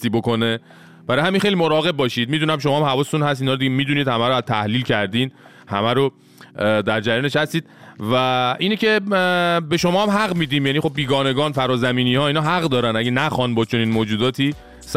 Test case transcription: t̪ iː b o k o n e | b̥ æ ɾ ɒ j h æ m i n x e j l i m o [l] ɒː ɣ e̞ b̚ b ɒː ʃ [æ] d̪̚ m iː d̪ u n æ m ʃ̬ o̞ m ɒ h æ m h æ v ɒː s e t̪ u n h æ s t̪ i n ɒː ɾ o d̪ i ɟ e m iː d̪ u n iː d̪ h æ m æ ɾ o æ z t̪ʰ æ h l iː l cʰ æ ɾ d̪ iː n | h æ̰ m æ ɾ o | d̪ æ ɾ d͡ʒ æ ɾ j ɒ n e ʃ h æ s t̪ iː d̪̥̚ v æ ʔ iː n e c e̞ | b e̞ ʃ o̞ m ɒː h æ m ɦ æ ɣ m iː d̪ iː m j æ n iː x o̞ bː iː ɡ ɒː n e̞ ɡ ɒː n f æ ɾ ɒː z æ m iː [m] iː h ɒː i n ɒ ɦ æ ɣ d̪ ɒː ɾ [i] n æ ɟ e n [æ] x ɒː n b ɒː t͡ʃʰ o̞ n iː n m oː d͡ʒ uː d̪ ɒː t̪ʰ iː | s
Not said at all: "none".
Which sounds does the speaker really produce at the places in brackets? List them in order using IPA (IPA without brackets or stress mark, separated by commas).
ɾ, i, n, æ, æ